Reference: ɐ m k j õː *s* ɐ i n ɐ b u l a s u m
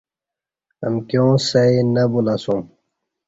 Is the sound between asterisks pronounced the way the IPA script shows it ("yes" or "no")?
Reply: yes